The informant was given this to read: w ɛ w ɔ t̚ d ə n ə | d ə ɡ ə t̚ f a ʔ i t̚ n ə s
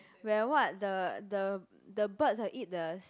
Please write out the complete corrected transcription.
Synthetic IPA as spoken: w ɛ w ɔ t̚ d ə d ə | d ə b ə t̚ s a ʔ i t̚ d ə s